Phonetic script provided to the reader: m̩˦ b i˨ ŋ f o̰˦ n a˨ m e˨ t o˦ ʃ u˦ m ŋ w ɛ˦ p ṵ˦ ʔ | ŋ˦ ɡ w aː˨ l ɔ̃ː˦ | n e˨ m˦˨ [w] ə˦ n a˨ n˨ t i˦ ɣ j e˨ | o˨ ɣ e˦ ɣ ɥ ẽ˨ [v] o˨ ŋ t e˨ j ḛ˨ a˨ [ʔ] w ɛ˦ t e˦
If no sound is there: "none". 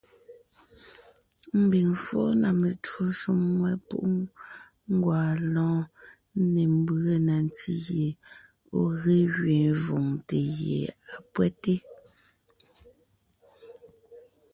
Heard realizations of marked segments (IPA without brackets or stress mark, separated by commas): b, v, p